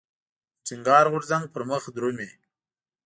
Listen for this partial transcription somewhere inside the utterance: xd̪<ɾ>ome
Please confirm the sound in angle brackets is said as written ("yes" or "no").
yes